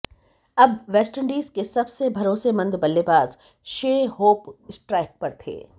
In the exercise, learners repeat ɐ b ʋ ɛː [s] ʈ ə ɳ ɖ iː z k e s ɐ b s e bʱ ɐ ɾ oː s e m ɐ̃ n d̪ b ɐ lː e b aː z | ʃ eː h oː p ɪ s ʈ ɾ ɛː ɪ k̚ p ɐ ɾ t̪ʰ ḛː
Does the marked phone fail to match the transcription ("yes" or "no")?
no